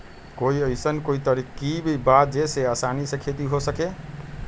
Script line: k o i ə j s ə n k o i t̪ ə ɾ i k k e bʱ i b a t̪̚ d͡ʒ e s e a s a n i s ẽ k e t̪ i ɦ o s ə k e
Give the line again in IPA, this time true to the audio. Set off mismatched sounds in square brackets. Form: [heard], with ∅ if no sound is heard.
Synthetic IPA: k o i ə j s ə n k o i t̪ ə ɾ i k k [i] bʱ i b a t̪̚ d͡ʒ e s e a s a n i s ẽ [kʰ] e t̪ i ɦ o s ə k e